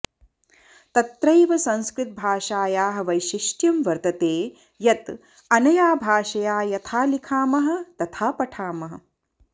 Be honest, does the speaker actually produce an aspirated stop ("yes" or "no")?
yes